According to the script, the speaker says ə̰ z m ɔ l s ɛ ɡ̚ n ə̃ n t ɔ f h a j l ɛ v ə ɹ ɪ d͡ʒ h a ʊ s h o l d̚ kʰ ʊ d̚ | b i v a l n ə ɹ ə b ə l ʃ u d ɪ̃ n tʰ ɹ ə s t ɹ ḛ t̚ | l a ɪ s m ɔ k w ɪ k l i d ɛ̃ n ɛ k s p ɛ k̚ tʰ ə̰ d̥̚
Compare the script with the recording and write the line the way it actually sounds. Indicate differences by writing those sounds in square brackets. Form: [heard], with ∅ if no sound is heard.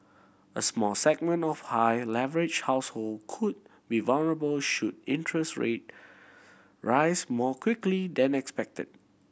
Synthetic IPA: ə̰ [s] m ɔ l s ɛ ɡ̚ [m] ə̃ n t ɔ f h a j l ɛ v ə ɹ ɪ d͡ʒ h a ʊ s h o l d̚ kʰ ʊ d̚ | b i v a l n ə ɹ ə b ə l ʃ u d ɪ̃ n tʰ ɹ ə s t ɹ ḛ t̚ | [ɹ] a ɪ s m ɔ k w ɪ k l i d ɛ̃ n ɛ k s p ɛ k̚ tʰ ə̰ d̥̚